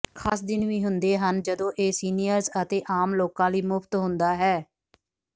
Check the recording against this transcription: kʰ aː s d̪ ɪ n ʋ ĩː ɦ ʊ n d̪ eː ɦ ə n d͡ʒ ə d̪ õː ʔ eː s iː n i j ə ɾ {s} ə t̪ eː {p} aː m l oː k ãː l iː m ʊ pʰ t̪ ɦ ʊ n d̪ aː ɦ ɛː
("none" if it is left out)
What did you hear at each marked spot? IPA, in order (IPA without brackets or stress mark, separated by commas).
z, ʔ